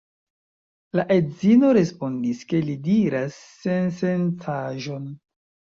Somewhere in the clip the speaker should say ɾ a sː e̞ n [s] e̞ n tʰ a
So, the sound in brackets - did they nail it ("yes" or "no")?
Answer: yes